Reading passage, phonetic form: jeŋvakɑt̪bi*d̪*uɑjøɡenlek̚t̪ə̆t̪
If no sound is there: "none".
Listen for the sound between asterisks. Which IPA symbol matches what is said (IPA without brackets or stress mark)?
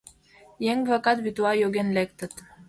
t̪